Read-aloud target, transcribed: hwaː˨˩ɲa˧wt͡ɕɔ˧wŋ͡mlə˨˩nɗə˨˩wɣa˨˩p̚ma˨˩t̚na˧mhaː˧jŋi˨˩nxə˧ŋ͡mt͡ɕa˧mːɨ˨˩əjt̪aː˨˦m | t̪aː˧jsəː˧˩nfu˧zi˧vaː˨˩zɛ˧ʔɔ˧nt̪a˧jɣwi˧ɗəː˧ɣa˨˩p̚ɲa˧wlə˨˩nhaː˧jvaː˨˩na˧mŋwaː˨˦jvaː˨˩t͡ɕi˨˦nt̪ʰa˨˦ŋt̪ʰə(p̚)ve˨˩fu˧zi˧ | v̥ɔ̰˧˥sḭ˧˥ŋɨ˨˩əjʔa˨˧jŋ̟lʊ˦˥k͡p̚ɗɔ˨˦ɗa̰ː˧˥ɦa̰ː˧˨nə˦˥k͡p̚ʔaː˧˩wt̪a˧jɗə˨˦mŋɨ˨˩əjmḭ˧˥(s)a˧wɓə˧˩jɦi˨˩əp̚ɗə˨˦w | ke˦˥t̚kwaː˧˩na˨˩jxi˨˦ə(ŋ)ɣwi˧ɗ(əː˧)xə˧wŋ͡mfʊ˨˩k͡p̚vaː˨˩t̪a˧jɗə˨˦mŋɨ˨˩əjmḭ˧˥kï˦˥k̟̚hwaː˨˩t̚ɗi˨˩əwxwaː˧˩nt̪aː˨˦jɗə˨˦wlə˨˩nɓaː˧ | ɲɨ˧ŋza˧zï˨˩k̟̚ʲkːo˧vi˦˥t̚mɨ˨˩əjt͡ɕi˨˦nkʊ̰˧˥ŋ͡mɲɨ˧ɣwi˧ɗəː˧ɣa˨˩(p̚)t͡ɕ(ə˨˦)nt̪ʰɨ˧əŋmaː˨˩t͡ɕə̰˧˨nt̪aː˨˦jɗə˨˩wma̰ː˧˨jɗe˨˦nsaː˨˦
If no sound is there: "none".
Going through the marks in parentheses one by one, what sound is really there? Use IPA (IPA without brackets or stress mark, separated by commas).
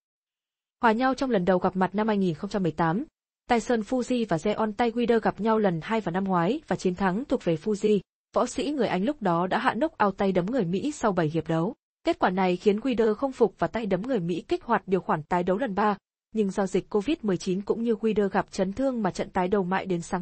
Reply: k̚, s, n, əː˧, p̚, ə˨˦